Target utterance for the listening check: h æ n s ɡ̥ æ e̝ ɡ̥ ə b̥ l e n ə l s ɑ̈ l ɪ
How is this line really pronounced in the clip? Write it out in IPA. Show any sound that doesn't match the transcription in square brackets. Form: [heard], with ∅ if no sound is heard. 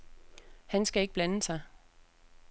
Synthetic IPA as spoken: h æ n s ɡ̥ æ e̝ ɡ̥ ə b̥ l [æ] n ə [∅] s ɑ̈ [∅] ɪ